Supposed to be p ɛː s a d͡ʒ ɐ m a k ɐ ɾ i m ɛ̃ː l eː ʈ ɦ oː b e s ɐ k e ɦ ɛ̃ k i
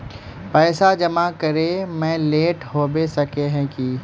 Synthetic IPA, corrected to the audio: p ɛː s a d͡ʒ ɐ m a k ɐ ɾ e m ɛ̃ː l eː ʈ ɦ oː b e s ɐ k e ɦ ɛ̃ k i